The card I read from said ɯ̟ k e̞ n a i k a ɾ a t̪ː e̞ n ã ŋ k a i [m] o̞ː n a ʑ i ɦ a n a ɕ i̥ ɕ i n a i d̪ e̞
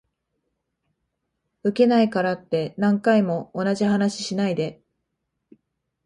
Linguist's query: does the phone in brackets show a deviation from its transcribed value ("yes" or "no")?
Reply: no